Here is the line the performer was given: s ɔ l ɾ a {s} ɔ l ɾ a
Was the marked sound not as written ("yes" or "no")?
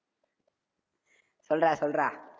no